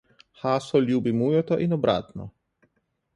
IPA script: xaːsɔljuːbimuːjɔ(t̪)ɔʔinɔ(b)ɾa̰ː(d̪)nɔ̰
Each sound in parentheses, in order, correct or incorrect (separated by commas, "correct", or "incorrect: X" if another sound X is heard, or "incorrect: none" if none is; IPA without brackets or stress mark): correct, correct, incorrect: t̪